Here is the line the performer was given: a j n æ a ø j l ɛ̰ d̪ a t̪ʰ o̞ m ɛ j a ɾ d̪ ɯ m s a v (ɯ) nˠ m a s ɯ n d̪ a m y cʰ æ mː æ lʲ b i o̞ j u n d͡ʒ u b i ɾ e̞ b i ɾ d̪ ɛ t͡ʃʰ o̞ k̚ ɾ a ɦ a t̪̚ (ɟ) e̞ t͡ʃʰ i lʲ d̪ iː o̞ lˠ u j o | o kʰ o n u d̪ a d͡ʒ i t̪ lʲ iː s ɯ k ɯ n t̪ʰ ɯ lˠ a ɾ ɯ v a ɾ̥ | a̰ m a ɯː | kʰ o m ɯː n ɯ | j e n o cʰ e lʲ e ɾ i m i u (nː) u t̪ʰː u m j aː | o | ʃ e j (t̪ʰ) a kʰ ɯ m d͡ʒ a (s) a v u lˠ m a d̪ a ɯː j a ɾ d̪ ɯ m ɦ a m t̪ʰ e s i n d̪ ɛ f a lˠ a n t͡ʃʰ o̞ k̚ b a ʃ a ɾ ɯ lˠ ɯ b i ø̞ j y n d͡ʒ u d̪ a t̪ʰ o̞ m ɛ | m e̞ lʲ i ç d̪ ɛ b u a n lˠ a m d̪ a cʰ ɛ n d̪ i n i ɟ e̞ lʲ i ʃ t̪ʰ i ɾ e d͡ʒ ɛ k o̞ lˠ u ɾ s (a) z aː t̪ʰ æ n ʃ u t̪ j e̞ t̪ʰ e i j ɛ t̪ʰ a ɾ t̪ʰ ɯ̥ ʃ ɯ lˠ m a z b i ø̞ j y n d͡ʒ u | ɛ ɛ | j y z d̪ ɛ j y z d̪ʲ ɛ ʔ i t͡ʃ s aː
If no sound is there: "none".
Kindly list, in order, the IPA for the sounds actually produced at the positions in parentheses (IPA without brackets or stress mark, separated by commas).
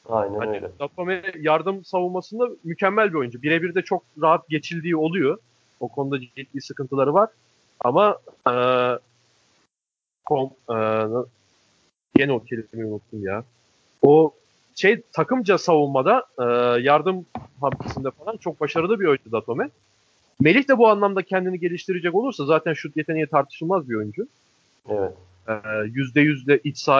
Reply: u, ɟ, n, t̪ʰ, s, a